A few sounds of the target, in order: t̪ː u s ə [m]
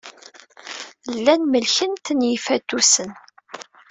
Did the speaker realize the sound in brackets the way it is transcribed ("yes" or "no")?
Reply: no